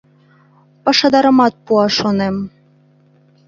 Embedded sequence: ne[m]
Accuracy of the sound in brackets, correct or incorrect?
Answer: correct